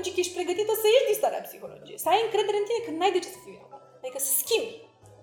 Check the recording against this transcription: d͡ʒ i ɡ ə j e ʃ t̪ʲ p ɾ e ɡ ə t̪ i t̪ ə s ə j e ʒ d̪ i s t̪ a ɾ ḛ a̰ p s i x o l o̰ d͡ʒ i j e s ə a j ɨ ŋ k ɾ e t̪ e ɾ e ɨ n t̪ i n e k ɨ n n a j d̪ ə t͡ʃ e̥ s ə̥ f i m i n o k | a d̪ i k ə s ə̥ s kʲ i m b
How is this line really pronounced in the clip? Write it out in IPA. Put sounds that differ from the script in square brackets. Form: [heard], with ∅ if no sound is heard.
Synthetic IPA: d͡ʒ i [k] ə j e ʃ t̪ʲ p ɾ e ɡ ə t̪ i t̪ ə s ə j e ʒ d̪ i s t̪ a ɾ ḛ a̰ p s i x o l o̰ d͡ʒ i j e s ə a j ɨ ŋ k ɾ e [d̪] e ɾ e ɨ n t̪ i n e k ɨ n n a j d̪ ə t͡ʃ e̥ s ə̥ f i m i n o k | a d̪ i k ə s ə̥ s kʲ i m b